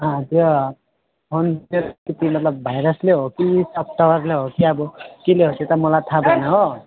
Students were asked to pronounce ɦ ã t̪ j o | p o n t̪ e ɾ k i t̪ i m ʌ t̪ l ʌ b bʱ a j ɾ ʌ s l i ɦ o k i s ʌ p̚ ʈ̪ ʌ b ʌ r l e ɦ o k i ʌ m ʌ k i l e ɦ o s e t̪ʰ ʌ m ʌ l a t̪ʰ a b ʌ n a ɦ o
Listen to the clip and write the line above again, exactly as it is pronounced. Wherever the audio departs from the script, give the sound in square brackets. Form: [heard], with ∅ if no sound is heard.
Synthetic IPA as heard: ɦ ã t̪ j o | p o n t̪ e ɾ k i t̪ i m ʌ t̪ l ʌ b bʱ a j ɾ ʌ s l [e] ɦ o k i s ʌ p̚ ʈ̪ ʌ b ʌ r l e ɦ o k i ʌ [b] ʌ k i l e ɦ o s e [t̪] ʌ m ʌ l a t̪ʰ a b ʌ n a ɦ o